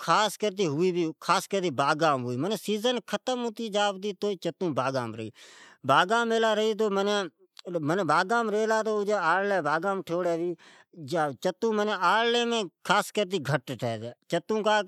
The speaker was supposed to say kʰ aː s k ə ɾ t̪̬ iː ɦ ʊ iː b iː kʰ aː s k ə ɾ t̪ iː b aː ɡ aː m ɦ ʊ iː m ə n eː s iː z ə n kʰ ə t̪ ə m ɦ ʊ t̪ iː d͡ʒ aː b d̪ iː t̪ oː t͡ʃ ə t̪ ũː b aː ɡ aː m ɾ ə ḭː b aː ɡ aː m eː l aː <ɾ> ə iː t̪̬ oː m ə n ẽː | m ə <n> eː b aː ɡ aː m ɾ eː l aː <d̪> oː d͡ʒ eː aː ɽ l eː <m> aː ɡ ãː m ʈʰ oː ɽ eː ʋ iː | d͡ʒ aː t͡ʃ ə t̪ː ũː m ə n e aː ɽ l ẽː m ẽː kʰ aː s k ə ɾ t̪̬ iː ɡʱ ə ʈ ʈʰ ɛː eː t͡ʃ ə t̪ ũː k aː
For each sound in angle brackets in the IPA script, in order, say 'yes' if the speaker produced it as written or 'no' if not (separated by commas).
yes, yes, no, no